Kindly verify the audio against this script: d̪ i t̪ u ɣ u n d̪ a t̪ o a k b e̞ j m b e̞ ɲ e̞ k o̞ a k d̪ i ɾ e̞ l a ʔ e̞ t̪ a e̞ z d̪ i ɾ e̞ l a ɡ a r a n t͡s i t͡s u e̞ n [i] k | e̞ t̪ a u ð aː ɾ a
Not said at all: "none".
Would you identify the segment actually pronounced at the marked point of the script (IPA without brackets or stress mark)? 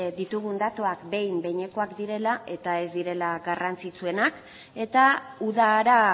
a